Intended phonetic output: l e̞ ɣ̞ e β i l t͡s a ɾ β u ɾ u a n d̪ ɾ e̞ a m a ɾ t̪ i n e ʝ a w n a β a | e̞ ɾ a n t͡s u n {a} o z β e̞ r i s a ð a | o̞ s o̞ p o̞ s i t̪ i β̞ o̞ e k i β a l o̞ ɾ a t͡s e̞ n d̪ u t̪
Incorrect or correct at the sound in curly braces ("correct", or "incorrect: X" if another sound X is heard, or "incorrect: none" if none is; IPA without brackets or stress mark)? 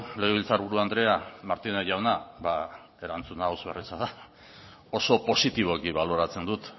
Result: correct